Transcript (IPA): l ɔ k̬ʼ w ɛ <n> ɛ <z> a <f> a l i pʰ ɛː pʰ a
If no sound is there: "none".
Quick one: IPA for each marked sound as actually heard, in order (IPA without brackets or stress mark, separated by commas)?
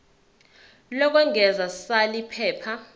ŋ, z, s